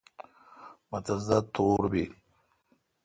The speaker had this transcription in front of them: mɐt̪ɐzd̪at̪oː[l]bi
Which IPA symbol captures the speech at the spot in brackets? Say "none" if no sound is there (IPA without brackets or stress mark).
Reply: ɾ